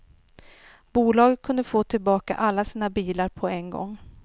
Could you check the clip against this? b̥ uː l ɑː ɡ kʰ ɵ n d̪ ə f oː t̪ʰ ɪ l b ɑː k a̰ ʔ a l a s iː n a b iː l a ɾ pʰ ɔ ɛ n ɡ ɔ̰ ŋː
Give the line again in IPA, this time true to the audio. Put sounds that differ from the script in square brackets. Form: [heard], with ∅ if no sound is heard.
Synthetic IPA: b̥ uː l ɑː ɡ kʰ ɵ n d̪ ə f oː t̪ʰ ɪ l b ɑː k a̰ ʔ a [lː] a s iː n a b iː l a ɾ pʰ ɔ ɛ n ɡ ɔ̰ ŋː